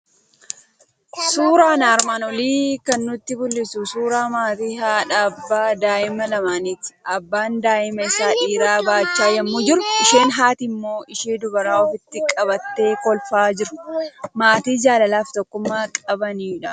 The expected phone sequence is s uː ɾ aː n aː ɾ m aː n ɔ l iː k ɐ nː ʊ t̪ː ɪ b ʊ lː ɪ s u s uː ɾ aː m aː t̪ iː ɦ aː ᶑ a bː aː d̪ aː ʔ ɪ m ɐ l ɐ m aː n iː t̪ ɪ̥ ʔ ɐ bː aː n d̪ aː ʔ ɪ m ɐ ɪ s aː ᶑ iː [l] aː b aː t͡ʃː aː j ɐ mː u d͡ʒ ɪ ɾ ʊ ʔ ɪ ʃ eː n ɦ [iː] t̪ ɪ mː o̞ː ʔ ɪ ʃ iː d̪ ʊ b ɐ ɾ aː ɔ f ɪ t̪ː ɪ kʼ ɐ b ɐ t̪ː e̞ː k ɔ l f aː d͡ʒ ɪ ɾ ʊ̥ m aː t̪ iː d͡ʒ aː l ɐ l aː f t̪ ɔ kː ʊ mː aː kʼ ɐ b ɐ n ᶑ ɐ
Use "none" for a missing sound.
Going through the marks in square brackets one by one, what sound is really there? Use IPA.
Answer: ɾ, aː

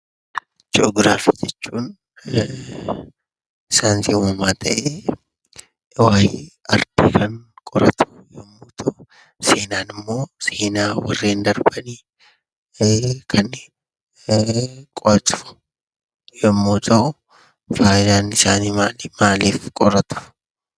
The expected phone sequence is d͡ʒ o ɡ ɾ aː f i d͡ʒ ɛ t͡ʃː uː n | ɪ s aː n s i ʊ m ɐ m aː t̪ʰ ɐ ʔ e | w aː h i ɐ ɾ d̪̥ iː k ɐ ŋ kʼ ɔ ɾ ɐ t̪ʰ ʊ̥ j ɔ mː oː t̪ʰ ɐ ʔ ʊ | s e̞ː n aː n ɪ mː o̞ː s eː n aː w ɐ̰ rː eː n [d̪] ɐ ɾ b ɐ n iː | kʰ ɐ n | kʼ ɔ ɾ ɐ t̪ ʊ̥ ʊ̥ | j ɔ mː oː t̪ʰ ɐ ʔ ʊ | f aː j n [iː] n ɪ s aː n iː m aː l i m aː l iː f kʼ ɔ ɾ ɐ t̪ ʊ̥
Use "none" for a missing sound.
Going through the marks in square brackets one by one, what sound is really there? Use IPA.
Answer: d̪, aː

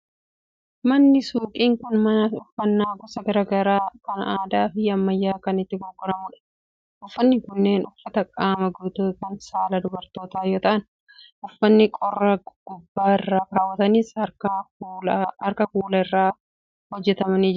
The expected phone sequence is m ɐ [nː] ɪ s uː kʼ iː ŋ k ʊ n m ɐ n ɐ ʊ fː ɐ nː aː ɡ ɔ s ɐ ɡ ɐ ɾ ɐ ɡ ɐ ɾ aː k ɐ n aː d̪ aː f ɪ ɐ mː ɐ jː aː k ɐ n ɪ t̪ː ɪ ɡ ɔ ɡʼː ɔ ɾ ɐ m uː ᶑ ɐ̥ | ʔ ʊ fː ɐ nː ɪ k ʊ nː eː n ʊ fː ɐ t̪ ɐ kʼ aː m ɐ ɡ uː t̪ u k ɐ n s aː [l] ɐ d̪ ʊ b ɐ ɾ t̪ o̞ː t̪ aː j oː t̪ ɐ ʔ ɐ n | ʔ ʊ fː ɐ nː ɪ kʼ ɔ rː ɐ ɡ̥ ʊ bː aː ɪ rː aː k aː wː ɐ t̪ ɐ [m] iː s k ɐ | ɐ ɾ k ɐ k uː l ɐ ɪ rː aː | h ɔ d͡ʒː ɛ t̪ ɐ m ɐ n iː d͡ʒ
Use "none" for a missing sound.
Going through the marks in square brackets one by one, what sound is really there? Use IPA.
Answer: nː, l, n

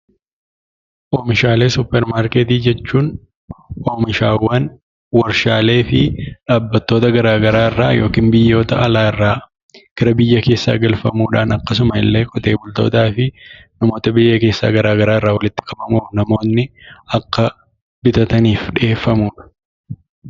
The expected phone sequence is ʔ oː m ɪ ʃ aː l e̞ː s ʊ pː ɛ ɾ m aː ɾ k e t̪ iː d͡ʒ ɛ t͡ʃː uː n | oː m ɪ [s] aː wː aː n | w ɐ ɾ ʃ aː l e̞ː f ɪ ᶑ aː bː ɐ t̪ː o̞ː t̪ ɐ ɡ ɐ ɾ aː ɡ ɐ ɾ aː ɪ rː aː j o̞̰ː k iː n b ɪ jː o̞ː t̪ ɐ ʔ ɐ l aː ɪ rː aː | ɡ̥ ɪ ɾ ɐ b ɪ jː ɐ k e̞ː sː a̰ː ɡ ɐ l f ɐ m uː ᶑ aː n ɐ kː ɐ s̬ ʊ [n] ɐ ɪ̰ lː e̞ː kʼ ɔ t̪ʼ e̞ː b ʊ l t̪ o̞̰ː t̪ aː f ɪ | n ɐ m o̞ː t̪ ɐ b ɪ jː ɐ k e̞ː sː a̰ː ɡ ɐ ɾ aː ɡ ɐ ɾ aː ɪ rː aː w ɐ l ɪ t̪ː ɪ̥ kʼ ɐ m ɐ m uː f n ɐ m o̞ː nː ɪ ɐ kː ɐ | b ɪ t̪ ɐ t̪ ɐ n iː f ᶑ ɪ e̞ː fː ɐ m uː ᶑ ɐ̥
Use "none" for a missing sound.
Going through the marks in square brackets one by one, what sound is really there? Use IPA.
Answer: ʃ, m

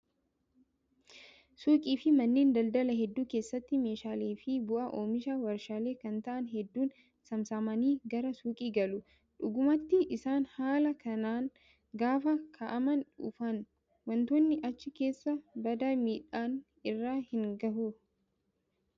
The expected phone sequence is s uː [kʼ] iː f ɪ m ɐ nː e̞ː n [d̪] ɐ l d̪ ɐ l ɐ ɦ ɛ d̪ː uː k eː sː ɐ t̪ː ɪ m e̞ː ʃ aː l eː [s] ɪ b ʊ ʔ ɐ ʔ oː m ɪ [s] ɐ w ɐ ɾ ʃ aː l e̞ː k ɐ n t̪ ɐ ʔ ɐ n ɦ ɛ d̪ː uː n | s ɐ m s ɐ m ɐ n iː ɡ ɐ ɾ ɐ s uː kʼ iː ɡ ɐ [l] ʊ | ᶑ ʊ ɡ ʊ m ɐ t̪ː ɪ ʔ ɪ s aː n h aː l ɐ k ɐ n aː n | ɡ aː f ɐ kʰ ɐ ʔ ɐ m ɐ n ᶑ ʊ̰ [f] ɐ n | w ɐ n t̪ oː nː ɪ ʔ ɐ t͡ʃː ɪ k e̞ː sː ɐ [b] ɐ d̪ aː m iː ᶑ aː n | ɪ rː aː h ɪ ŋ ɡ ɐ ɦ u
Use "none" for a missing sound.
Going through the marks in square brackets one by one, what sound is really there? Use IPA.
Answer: kʼ, d̪, f, ʃ, l, f, b

